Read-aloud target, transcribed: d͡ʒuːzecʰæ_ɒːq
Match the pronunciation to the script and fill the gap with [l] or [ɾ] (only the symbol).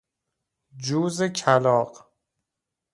l